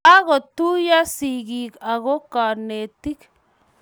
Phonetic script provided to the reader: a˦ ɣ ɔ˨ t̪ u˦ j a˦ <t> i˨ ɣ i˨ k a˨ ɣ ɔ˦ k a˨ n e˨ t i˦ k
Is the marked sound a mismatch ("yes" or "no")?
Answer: yes